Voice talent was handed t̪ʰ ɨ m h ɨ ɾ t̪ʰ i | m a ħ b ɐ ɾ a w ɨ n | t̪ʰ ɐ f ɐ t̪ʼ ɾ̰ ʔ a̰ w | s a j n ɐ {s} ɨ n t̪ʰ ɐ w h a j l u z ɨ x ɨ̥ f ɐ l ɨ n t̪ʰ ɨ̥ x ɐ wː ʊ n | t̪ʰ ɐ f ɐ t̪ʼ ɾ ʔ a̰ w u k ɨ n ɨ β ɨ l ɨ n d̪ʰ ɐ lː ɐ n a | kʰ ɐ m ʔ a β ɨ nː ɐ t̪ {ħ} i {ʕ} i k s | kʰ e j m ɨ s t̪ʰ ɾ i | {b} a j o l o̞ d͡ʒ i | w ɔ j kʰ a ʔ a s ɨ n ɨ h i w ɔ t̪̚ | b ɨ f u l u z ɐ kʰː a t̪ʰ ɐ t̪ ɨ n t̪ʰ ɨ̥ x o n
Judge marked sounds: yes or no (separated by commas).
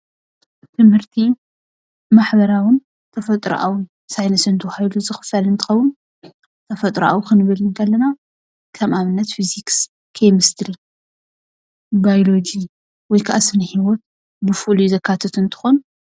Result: yes, no, no, yes